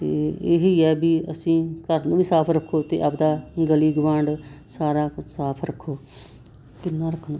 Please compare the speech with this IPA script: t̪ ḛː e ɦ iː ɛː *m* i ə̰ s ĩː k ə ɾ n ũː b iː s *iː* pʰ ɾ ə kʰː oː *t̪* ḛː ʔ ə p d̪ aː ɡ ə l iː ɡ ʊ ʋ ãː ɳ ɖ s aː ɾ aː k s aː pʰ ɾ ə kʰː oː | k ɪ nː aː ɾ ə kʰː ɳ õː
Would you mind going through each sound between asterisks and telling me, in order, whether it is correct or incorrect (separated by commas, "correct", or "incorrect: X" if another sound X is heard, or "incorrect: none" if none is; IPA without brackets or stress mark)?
incorrect: b, incorrect: aː, correct